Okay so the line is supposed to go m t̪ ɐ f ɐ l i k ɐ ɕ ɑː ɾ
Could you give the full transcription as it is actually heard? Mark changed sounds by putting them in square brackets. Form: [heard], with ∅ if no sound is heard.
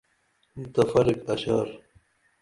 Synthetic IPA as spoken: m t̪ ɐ f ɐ [ɾ] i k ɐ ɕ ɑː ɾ